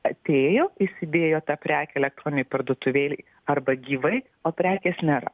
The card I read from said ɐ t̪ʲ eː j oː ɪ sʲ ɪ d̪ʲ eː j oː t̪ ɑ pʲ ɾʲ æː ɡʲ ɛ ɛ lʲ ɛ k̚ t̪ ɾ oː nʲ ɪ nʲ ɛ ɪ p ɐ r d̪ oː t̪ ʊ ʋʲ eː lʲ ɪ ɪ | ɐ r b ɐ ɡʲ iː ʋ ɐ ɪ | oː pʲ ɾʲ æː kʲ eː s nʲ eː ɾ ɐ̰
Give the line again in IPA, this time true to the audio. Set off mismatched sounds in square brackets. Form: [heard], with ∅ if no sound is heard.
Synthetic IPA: ɐ t̪ʲ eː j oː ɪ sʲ ɪ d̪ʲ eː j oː t̪ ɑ pʲ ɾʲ æː [kʲ] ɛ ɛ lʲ ɛ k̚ t̪ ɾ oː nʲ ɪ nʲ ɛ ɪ p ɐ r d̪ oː t̪ ʊ ʋʲ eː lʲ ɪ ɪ | ɐ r b ɐ ɡʲ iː ʋ ɐ ɪ | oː pʲ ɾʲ æː kʲ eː s nʲ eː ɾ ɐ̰